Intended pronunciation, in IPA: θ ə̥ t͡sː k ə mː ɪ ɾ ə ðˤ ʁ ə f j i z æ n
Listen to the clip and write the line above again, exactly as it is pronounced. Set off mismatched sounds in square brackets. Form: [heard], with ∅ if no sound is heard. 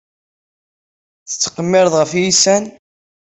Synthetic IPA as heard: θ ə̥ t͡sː [q] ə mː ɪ ɾ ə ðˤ ʁ ə f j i [s] æ n